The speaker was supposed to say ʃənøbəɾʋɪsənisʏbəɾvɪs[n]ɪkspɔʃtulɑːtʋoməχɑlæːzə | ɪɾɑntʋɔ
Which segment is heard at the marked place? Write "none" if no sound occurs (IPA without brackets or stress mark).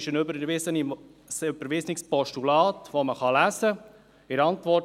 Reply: n